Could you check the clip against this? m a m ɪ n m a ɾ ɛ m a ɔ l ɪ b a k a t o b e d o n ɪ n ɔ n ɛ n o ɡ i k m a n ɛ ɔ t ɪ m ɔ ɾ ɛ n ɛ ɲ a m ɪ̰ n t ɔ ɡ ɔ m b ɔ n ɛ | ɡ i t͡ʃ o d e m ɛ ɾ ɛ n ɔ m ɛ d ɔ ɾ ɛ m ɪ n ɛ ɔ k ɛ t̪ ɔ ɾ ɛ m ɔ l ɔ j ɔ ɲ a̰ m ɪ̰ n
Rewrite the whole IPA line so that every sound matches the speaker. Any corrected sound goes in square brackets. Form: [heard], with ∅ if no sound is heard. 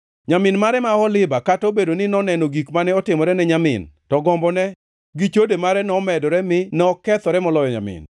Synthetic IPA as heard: [ɲ] a m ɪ n m a ɾ ɛ m a ɔ l ɪ b a k a t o b e d o n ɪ n ɔ n ɛ n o ɡ i k m a n ɛ ɔ t ɪ m ɔ ɾ ɛ n ɛ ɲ a m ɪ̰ n t ɔ ɡ ɔ m b ɔ n ɛ | ɡ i t͡ʃ o d e m [a] ɾ ɛ n ɔ m ɛ d ɔ ɾ ɛ m ɪ n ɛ ɔ k ɛ t̪ ɔ ɾ ɛ m ɔ l ɔ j ɔ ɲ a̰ m ɪ̰ n